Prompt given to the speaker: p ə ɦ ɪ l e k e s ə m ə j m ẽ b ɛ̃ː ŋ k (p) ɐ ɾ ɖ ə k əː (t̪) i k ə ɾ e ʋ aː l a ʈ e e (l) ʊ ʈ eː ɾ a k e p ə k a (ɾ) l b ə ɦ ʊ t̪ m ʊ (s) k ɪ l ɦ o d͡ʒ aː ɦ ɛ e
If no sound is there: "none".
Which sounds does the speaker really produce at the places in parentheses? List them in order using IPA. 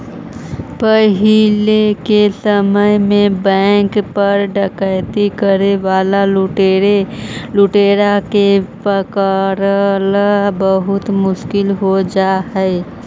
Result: p, t̪, l, ɾ, ʃ

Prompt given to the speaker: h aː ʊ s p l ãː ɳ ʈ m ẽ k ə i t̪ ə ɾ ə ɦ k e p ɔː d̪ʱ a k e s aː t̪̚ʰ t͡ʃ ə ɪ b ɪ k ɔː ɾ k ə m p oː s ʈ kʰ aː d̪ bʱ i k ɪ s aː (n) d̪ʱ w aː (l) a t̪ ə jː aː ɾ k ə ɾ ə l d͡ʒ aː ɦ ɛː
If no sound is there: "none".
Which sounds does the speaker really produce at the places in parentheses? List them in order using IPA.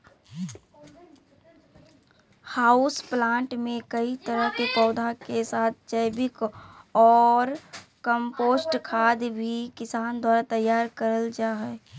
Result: n, ɾ

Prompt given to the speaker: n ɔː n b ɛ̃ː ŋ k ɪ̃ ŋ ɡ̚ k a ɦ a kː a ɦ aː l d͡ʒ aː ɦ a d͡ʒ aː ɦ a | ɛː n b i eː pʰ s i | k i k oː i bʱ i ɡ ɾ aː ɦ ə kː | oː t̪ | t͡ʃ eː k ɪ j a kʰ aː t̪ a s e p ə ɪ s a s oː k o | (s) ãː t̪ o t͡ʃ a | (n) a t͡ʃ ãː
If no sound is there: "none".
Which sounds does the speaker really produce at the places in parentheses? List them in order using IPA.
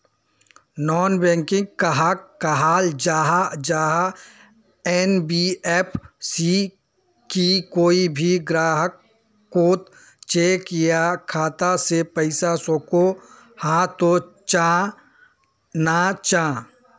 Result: h, n

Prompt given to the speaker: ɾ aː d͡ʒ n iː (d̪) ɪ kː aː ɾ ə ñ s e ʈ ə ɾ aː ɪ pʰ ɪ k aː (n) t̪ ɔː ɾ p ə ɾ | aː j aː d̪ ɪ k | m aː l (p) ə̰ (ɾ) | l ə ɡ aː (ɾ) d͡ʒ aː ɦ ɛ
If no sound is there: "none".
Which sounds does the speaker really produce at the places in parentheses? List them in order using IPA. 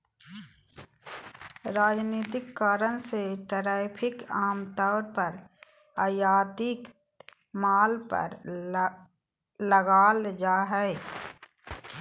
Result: t̪, m, p, ɾ, l

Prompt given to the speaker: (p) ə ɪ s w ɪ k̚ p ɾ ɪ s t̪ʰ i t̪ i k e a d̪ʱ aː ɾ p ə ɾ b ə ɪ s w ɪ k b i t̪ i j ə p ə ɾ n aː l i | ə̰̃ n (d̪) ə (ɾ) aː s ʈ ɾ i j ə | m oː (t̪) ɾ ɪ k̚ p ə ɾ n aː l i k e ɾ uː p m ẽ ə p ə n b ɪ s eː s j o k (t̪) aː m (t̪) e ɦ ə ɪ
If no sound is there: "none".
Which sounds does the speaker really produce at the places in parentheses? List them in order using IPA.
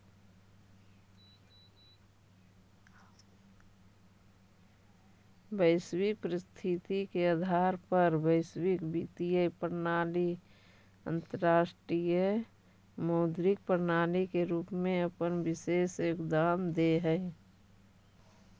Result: b, t̪, ɾ, d̪, d̪, d̪

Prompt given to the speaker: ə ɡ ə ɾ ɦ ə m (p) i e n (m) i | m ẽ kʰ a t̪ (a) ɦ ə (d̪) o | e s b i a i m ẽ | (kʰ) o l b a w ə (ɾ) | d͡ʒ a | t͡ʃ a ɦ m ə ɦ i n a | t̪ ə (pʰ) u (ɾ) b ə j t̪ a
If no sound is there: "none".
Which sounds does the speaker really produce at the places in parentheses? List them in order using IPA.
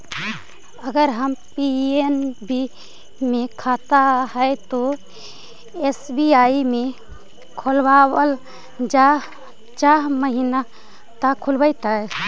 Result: p, b, a, t̪, kʰ, l, kʰ, l

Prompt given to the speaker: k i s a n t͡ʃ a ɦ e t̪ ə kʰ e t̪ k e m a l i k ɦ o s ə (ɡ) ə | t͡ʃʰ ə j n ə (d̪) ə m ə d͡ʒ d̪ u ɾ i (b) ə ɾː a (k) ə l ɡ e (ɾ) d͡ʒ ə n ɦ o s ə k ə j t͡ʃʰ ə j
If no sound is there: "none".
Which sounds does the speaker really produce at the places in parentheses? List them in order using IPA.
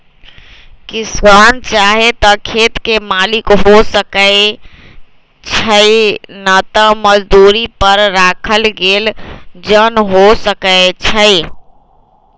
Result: k, t̪, p, kʰ, l

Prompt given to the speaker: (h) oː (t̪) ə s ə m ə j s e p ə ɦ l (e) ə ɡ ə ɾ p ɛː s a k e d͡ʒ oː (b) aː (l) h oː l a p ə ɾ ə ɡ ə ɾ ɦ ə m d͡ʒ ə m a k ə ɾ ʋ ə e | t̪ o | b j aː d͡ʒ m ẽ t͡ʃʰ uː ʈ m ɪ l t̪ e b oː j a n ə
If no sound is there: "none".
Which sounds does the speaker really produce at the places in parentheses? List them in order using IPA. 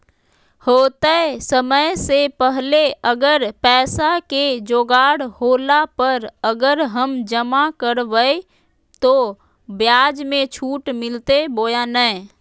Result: h, t̪, e, ɡ, ɽ

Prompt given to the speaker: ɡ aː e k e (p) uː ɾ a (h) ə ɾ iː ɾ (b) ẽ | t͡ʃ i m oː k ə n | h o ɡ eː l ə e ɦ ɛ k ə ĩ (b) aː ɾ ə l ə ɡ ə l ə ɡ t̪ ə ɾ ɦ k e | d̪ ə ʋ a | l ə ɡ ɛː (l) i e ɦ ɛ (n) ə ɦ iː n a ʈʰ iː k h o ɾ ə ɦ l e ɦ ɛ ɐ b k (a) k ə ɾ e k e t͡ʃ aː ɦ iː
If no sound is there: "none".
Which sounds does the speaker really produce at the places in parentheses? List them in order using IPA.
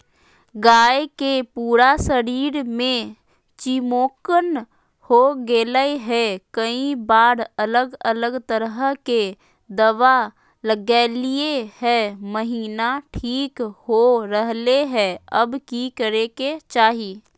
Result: p, s, m, b, l, m, i

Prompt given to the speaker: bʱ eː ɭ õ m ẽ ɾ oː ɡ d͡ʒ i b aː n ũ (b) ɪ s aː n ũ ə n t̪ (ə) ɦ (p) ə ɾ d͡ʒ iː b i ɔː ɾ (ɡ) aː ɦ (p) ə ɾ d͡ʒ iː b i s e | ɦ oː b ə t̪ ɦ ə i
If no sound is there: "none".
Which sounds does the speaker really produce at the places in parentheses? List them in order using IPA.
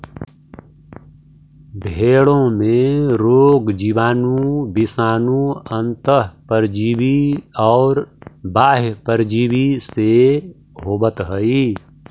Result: b, ə, p, b, p

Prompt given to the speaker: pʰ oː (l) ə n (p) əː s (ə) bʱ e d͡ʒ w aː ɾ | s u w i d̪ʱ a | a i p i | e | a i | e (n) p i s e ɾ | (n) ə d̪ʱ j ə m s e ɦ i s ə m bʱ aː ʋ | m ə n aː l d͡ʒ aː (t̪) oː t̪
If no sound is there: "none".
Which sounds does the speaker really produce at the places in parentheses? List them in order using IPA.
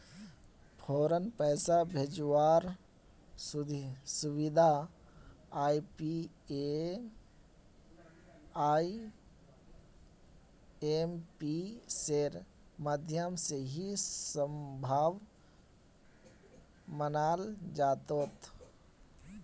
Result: ɾ, p, a, m, m, t̪

